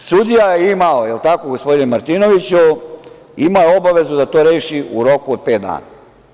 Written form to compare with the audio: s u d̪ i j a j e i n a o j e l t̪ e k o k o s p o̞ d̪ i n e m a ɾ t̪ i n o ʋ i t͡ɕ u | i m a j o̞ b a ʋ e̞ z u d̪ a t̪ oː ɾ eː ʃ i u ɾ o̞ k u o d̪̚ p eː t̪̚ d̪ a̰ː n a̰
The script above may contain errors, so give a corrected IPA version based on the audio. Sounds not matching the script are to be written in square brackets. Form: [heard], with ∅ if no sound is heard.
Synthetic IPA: s u d̪ i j a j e i [m] a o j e l t̪ [a] k o [ɡ] o s p o̞ d̪ i n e m a ɾ t̪ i n o ʋ i t͡ɕ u | i m a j o̞ b a ʋ e̞ z u d̪ a t̪ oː ɾ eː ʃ i u ɾ o̞ k u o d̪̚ p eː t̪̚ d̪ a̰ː n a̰

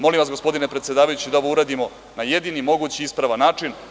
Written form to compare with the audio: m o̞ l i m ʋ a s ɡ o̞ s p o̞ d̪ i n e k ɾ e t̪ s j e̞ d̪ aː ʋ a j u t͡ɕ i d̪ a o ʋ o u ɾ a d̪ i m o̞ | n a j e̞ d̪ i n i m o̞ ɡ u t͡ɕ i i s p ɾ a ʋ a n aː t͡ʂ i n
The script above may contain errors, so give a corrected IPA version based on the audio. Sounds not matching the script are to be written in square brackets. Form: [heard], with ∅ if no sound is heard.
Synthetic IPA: m o̞ l i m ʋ a s ɡ o̞ s p o̞ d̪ i n e [p] ɾ e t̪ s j e̞ d̪ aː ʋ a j u t͡ɕ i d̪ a o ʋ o u ɾ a d̪ i m o̞ | n a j e̞ d̪ i n i m o̞ ɡ u t͡ɕ i i s p ɾ a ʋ a n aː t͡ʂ i n

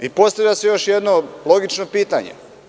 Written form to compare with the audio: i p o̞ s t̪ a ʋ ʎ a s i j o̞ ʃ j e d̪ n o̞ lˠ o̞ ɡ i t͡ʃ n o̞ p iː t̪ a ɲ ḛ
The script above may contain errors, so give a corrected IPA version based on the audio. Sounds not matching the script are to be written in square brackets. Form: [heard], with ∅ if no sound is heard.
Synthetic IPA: i p o̞ s t̪ a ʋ ʎ a s [e] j o̞ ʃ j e d̪ n o̞ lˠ o̞ ɡ i t͡ʃ n o̞ p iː t̪ a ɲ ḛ

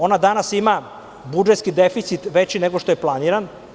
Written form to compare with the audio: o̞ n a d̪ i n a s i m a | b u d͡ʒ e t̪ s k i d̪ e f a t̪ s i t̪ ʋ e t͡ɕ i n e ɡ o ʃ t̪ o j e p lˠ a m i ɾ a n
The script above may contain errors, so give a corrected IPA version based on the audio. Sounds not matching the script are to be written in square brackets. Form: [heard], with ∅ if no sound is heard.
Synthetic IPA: o̞ n a d̪ [a] n a s i m a | b u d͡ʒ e t̪ s k i d̪ e f [i] t̪ s i t̪ ʋ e t͡ɕ i n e ɡ o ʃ t̪ o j e p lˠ a [n] i ɾ a n

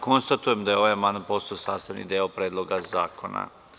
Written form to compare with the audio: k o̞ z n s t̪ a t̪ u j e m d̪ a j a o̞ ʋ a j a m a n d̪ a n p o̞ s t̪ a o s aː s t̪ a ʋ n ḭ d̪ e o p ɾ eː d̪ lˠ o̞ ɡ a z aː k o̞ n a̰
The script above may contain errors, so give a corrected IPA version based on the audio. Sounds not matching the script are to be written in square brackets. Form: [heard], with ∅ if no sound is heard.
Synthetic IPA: k o̞ [∅] n s t̪ a t̪ u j e m d̪ a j [e] o̞ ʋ a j a m a n d̪ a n p o̞ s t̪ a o s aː s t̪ a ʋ n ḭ d̪ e o p ɾ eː d̪ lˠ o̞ ɡ a z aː k o̞ n a̰

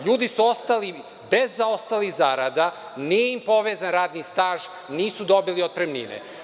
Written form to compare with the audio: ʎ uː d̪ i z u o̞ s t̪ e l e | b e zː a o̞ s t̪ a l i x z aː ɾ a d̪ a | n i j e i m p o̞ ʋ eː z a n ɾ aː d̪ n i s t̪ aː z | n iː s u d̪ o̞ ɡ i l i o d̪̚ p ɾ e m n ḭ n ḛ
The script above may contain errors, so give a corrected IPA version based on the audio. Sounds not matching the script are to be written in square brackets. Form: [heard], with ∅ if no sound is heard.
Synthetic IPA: ʎ uː d̪ i [s] u o̞ s t̪ [a] l [i] | b e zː a o̞ s t̪ a l i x z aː ɾ a d̪ a | n i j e i m p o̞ ʋ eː z a n ɾ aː d̪ n i s t̪ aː [ʒ] | n iː s u d̪ o̞ [b] i l i o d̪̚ p ɾ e m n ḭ n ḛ

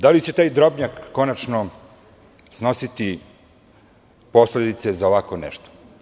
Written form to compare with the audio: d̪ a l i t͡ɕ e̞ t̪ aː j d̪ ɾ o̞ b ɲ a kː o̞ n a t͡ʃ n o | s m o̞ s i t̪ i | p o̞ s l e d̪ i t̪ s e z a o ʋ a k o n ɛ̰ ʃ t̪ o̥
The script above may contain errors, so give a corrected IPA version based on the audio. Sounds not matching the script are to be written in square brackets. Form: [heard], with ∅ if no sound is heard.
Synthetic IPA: d̪ a l i t͡ɕ e̞ t̪ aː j d̪ ɾ o̞ b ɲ a kː o̞ n a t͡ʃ n o | s [n] o̞ s i t̪ i | p o̞ s l e d̪ i t̪ s e z a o ʋ a k o n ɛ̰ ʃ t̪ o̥

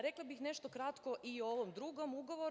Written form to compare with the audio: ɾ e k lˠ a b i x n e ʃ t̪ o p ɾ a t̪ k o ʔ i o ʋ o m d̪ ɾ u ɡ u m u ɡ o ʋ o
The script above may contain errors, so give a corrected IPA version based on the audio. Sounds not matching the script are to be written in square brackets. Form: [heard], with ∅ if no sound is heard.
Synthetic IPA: ɾ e k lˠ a b i x n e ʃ t̪ o [k] ɾ a t̪ k o ʔ i o ʋ o m d̪ ɾ u ɡ [o] m u ɡ o ʋ o

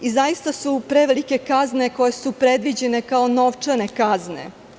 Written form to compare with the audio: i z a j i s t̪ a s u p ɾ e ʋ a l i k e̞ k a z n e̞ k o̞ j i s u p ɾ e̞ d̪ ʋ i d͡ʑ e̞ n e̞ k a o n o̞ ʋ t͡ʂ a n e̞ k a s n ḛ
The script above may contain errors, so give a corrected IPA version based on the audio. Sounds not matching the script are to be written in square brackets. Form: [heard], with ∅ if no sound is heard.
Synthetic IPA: i z a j i s t̪ a s u p ɾ e ʋ [e] l i k e̞ k a z n e̞ k o̞ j [e] s u p ɾ e̞ d̪ ʋ i d͡ʑ e̞ n e̞ k a o n o̞ ʋ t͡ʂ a n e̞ k a [z] n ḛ

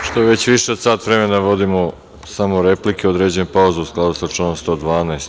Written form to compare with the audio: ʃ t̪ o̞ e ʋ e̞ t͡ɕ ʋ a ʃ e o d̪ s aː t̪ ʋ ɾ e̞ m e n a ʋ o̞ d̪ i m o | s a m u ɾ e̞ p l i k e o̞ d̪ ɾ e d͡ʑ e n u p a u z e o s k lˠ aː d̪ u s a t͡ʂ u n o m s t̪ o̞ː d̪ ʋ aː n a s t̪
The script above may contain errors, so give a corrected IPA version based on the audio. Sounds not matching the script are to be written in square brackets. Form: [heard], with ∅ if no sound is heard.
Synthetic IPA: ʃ t̪ o̞ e ʋ e̞ t͡ɕ ʋ [i] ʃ e o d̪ s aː t̪ ʋ ɾ e̞ m e n a ʋ o̞ d̪ i m o | s a m [o] ɾ e̞ p l i k e o̞ d̪ ɾ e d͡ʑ e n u p a u z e [u] s k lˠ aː d̪ u s a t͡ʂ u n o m s t̪ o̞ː d̪ ʋ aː n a s t̪

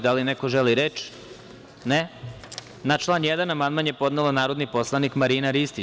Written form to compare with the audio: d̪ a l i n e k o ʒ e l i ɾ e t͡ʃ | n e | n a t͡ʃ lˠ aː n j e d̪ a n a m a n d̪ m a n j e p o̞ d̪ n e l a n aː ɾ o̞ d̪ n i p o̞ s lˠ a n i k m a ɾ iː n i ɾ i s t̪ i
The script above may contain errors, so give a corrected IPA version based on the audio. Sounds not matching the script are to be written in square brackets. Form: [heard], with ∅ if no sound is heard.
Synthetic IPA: d̪ a l i n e k o ʒ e l i ɾ e t͡ʃ | n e | n a t͡ʃ lˠ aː n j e d̪ a n a m a n d̪ m a n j e p o̞ d̪ n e l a n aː ɾ o̞ d̪ n i p o̞ s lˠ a n i k m a ɾ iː n [a] ɾ i s t̪ i

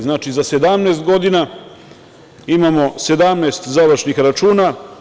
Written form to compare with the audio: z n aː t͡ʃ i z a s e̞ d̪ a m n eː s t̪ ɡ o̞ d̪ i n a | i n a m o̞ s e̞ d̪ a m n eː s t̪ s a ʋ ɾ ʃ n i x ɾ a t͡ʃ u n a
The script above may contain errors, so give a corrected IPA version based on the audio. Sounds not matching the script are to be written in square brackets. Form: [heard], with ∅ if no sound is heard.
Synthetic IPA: z n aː t͡ʃ i z a s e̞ d̪ a m n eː s t̪ ɡ o̞ d̪ i n a | i [m] a m o̞ s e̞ d̪ a m n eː s t̪ [z] a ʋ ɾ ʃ n i x ɾ a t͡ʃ [uː] n a

